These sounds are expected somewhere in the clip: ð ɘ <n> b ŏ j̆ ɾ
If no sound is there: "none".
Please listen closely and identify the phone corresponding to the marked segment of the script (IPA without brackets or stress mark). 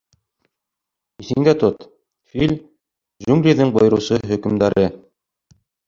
ŋ